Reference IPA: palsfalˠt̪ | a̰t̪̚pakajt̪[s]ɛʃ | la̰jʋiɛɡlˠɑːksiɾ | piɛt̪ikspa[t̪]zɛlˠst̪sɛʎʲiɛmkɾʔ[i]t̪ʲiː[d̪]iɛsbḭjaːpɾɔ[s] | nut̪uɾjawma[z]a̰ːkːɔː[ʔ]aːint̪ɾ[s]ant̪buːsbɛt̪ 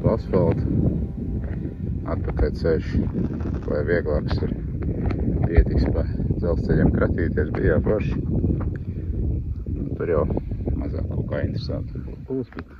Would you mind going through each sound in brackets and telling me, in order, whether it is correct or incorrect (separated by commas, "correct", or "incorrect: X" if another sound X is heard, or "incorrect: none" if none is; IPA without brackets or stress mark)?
correct, incorrect: d̪, incorrect: a, incorrect: t̪, incorrect: ʃ, correct, incorrect: k, correct